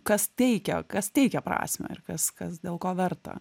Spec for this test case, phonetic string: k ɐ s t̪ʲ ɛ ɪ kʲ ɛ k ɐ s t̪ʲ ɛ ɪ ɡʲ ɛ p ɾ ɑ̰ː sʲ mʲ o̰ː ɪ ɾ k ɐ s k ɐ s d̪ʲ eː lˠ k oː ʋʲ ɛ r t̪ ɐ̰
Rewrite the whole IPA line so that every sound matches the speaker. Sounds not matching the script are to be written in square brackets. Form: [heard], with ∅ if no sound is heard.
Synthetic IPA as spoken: k ɐ s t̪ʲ ɛ ɪ kʲ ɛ k ɐ s t̪ʲ ɛ ɪ [kʲ] ɛ p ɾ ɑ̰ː sʲ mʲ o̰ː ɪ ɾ k ɐ s k ɐ s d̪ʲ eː lˠ k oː ʋʲ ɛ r t̪ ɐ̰

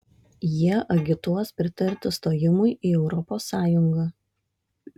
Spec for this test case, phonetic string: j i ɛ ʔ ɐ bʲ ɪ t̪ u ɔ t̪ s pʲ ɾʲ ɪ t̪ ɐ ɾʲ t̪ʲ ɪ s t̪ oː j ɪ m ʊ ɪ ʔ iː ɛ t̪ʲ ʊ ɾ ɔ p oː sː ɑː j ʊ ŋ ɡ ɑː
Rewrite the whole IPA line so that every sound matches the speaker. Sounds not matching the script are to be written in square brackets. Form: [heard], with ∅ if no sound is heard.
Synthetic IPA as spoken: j i ɛ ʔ ɐ [ɡʲ] ɪ t̪ u ɔ [∅] s pʲ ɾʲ ɪ t̪ ɐ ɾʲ t̪ʲ ɪ s t̪ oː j ɪ m ʊ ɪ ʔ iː ɛ [∅] ʊ ɾ ɔ p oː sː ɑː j ʊ ŋ ɡ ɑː

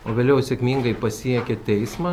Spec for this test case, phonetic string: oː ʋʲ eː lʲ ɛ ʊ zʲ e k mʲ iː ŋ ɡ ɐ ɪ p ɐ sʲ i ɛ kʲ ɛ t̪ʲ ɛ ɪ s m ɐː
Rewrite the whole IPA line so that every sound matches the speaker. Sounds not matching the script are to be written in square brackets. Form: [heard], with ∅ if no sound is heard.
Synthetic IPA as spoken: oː ʋʲ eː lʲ ɛ ʊ [sʲ] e k mʲ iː ŋ ɡ ɐ ɪ p ɐ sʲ i ɛ kʲ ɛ t̪ʲ ɛ ɪ s m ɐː

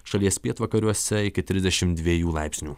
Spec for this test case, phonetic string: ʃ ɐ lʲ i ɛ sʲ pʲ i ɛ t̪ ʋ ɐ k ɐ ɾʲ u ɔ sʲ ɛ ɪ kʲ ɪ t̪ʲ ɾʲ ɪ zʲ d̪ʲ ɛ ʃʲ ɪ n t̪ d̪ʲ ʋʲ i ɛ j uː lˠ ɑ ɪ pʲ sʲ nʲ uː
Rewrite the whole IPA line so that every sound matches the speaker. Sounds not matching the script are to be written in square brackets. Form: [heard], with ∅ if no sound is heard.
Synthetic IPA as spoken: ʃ ɐ lʲ i ɛ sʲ pʲ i ɛ t̪ ʋ ɐ k ɐ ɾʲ u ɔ sʲ ɛ ɪ kʲ ɪ t̪ʲ ɾʲ ɪ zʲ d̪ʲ ɛ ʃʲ ɪ [m] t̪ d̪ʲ ʋʲ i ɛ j uː lˠ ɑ ɪ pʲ sʲ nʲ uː

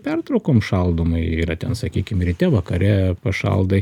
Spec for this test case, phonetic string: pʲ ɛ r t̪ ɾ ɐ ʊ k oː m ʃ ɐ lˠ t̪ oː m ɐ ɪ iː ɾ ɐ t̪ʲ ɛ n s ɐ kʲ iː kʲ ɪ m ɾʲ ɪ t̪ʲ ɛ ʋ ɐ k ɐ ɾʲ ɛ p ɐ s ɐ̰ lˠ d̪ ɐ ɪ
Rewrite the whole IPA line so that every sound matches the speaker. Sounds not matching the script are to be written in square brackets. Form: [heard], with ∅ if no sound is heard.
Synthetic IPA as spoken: pʲ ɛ r t̪ ɾ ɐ ʊ k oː m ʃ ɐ lˠ [d̪] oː m ɐ ɪ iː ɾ ɐ t̪ʲ ɛ n s ɐ kʲ iː kʲ ɪ m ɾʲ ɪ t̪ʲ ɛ ʋ ɐ k ɐ ɾʲ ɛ p ɐ [ʃ] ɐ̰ lˠ d̪ ɐ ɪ

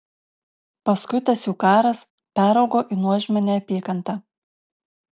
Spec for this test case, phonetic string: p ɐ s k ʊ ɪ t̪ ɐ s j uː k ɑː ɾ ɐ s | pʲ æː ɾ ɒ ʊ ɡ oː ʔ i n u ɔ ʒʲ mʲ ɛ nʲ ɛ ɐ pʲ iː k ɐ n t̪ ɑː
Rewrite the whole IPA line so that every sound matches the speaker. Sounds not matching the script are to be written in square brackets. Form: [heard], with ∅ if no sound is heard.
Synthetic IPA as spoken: p ɐ s k ʊ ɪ t̪ ɐ s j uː k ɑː ɾ ɐ s | pʲ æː ɾ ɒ ʊ ɡ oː ʔ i n u ɔ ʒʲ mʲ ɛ nʲ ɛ ɐ pʲ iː k ɐ n t̪ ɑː

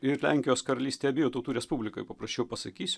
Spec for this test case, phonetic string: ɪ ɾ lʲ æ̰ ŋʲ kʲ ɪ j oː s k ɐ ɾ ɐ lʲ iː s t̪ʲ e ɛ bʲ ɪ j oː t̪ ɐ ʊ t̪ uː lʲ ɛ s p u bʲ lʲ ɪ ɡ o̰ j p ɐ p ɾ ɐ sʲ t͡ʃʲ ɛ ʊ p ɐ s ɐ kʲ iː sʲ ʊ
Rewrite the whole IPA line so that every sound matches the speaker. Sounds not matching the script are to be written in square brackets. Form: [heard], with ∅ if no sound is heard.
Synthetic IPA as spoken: ɪ ɾ lʲ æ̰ ŋʲ kʲ ɪ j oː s k ɐ ɾ ɐ lʲ iː s t̪ʲ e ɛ bʲ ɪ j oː t̪ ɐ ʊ t̪ uː [ɾʲ] ɛ s p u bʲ lʲ ɪ [k] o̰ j p ɐ p ɾ ɐ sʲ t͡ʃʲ ɛ ʊ p ɐ s ɐ kʲ iː sʲ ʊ

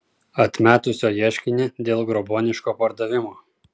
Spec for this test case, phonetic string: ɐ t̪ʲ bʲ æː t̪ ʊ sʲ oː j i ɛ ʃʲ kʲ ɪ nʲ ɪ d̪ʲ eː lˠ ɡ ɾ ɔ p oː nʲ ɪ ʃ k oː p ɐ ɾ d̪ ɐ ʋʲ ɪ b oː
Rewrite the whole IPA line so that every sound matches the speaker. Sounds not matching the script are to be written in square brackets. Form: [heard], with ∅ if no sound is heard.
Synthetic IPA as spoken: ɐ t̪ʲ [mʲ] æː t̪ ʊ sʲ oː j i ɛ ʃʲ kʲ ɪ nʲ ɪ d̪ʲ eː lˠ ɡ ɾ ɔ [b] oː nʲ ɪ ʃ k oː p ɐ ɾ d̪ ɐ ʋʲ ɪ [m] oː

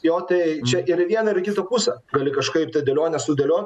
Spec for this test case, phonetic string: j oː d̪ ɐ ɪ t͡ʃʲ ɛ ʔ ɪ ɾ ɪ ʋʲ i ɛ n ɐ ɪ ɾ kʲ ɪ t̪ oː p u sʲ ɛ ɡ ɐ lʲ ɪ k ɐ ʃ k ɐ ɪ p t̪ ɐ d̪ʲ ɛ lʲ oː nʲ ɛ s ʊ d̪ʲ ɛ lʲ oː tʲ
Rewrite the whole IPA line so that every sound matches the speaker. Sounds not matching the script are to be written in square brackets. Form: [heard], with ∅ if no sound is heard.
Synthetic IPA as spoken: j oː [t̪] ɐ ɪ t͡ʃʲ ɛ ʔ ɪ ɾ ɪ ʋʲ i ɛ n ɐ ɪ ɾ kʲ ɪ t̪ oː p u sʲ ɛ ɡ ɐ lʲ ɪ k ɐ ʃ k ɐ ɪ p t̪ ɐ d̪ʲ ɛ lʲ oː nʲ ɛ s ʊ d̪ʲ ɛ lʲ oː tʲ

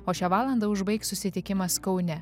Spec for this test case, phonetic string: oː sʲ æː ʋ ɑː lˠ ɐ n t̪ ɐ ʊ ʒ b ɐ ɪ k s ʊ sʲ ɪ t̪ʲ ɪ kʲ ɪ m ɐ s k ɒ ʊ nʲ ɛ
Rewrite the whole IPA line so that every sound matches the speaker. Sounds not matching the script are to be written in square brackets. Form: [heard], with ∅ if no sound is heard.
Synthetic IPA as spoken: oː [ʃʲ] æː ʋ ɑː lˠ ɐ n [d̪] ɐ ʊ ʒ b ɐ ɪ k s ʊ sʲ ɪ t̪ʲ ɪ kʲ ɪ m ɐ s k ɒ ʊ nʲ ɛ

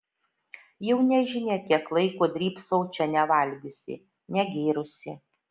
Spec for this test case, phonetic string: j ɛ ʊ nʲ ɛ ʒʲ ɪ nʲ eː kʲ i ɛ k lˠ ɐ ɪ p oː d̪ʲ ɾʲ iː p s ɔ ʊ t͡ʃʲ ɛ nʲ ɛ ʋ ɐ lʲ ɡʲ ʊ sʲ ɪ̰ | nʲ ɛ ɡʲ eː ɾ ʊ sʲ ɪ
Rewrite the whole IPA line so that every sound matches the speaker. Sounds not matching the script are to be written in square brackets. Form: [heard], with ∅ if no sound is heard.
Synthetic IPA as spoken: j ɛ ʊ nʲ ɛ ʒʲ ɪ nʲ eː kʲ i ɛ k lˠ ɐ ɪ [k] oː d̪ʲ ɾʲ iː p s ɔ ʊ t͡ʃʲ ɛ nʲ ɛ ʋ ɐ lʲ ɡʲ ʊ sʲ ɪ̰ | nʲ ɛ ɡʲ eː ɾ ʊ sʲ ɪ

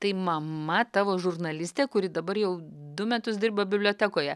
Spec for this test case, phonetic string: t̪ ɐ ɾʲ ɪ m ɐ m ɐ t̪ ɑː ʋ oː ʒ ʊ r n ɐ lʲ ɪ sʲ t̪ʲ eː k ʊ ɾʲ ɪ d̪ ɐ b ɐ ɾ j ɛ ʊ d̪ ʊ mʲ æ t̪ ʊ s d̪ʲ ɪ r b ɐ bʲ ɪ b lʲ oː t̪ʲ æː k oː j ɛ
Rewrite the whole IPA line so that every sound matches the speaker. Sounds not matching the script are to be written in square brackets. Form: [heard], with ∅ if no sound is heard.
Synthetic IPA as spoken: t̪ ɐ [∅] ɪ m ɐ m ɐ t̪ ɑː ʋ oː ʒ ʊ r n ɐ lʲ ɪ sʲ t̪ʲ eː k ʊ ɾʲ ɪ d̪ ɐ b ɐ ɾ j ɛ ʊ d̪ ʊ mʲ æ t̪ ʊ s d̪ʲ ɪ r b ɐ bʲ ɪ b lʲ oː t̪ʲ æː k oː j ɛ

